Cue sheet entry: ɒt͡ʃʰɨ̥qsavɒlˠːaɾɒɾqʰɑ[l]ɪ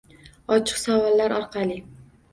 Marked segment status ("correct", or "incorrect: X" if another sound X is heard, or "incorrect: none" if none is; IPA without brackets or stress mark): correct